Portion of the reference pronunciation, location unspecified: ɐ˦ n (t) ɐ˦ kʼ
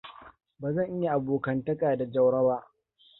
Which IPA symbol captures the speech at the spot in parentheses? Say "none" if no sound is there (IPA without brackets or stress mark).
t